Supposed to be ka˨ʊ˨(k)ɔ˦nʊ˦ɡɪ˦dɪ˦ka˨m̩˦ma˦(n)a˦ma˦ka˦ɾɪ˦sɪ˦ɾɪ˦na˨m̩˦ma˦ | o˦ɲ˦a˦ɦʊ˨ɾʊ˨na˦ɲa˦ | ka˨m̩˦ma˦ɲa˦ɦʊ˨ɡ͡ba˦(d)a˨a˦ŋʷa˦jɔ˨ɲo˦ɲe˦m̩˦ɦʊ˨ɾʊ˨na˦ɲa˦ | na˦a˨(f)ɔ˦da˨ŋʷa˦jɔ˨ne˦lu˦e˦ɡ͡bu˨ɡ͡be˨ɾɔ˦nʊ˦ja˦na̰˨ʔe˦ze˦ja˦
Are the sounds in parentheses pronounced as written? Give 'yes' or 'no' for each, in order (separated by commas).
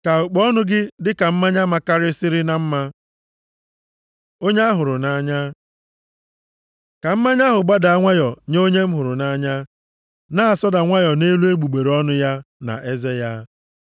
no, no, yes, no